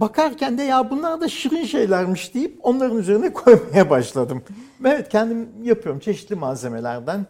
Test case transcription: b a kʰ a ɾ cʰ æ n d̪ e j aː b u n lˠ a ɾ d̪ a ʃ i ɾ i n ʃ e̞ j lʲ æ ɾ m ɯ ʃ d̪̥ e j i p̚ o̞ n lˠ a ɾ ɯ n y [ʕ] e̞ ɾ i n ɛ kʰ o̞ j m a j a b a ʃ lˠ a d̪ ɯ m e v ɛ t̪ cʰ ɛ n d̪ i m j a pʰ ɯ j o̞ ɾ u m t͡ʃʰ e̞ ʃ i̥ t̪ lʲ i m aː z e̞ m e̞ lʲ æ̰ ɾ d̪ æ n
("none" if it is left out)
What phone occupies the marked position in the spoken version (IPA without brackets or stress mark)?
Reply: z